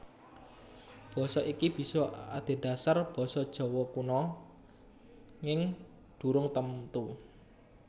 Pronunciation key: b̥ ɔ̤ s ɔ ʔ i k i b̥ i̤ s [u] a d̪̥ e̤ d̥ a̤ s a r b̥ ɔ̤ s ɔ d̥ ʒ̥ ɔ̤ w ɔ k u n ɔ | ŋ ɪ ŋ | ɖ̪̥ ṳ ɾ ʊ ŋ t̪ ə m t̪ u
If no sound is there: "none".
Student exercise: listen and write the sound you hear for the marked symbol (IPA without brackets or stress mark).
ɔ